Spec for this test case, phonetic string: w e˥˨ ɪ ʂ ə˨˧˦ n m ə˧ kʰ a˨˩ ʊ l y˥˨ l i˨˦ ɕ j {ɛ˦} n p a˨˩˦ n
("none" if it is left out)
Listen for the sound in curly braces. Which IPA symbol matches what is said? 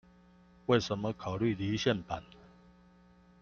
ɛ˥˨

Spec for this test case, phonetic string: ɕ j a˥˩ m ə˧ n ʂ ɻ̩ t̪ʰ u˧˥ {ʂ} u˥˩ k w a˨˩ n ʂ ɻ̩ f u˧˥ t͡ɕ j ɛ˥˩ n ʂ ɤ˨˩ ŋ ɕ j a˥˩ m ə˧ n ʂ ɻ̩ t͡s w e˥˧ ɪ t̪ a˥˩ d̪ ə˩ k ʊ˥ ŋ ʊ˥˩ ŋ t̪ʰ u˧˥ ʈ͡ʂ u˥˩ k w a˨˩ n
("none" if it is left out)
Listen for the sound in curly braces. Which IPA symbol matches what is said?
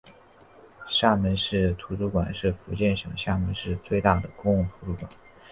ʈ͡ʂ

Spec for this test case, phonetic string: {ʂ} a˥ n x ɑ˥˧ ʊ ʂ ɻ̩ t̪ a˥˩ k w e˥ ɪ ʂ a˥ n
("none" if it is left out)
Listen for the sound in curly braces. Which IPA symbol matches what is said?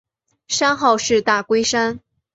ʂ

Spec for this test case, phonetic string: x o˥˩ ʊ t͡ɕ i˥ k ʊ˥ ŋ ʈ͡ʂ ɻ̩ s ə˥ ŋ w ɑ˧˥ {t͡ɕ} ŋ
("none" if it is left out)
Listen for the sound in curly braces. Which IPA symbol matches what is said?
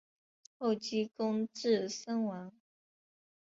none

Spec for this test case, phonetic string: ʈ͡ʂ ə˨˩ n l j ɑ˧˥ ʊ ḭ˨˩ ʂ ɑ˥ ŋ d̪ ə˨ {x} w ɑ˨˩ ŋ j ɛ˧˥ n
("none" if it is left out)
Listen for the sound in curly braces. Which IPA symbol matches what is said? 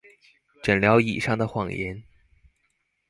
x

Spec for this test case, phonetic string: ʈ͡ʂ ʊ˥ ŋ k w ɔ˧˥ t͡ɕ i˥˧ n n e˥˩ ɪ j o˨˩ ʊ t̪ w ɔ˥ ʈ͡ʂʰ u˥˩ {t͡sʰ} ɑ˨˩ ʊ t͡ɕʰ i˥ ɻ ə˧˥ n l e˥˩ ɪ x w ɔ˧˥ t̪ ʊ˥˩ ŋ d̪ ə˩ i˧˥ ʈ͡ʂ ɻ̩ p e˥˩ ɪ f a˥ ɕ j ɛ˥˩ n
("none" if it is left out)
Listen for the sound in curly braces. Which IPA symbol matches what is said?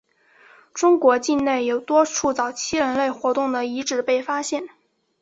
t͡s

